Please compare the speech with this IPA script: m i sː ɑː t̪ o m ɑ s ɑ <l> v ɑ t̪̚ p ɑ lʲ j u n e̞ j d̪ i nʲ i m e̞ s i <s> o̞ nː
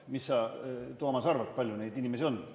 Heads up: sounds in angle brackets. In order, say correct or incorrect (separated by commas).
incorrect, incorrect